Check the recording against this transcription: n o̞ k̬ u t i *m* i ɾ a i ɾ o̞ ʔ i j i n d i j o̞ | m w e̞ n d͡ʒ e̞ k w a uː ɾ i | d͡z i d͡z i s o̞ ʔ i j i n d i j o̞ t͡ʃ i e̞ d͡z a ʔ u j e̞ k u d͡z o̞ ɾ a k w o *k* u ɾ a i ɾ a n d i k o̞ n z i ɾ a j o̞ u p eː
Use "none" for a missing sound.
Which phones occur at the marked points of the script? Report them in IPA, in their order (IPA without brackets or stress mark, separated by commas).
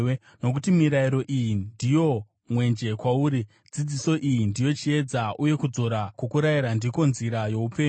m, k